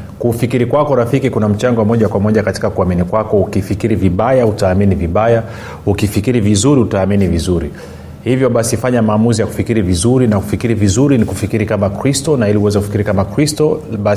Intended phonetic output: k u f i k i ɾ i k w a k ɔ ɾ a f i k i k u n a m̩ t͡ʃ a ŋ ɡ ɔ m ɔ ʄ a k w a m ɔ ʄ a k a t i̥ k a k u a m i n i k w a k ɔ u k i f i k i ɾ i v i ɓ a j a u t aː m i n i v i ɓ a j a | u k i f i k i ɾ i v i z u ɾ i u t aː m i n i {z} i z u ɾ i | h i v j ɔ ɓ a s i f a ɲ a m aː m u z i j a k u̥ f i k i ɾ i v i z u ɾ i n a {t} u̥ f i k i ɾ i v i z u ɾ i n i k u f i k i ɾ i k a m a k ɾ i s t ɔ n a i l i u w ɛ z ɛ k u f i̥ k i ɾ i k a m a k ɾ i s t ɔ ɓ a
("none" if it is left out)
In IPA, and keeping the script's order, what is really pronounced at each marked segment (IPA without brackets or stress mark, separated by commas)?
v, k